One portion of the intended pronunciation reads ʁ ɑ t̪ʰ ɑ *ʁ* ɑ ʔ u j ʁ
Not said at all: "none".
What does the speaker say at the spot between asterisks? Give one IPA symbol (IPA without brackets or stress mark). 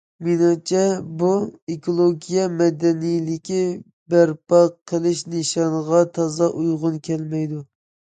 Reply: z